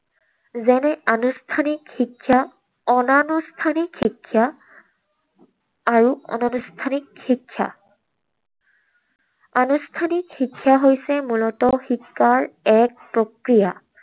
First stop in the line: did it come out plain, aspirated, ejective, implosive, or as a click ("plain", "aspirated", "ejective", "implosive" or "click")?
aspirated